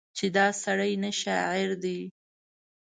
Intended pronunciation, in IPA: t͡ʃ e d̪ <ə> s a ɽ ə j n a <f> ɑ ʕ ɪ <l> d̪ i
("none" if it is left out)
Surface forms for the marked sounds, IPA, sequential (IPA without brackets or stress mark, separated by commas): ɑ, ʃ, ɾ